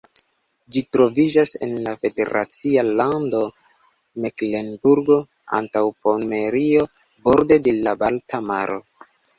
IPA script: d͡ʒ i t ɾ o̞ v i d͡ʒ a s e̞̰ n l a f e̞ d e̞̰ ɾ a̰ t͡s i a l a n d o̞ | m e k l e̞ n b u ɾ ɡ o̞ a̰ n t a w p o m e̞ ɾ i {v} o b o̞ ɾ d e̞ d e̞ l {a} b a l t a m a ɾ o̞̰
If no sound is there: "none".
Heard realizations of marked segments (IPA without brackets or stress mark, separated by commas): none, a